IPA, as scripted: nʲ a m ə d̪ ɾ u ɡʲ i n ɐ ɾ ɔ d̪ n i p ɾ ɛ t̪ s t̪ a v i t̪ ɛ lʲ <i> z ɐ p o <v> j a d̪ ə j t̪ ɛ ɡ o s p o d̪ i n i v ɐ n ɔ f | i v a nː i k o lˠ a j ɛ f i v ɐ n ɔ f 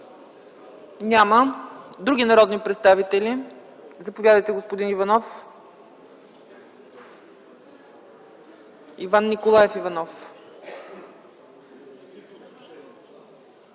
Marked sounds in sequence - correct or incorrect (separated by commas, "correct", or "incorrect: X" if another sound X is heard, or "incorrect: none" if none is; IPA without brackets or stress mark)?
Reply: correct, correct